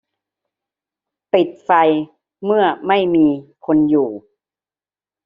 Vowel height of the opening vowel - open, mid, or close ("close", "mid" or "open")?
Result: close